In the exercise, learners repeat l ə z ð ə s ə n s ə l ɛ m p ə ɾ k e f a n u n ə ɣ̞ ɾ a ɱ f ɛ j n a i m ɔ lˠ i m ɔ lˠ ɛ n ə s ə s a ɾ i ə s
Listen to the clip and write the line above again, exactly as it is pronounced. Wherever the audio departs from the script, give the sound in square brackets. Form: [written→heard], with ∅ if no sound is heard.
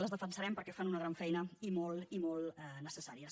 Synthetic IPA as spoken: l ə z ð ə [s→f] ə n s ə [l→ɾ] ɛ m p ə ɾ k [e→ɛ] f a n u n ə ɣ̞ ɾ a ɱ f ɛ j n [a→ə] i m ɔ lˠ i m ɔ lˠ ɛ n ə s ə s a ɾ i ə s